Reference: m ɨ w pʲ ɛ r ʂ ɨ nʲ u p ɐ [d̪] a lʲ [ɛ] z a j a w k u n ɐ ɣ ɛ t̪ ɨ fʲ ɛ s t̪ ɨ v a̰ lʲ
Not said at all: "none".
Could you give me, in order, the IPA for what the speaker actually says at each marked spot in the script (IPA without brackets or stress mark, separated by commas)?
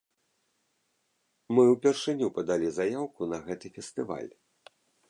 d̪, i